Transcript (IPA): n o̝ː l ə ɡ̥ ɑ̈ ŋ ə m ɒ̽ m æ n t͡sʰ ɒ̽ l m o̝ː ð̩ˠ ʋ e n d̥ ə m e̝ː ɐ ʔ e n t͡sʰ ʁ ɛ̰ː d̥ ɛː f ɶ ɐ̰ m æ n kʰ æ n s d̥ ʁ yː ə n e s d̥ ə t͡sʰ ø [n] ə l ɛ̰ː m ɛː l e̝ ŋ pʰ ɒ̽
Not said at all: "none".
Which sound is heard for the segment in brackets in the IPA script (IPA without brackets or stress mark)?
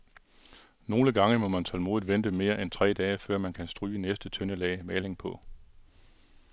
n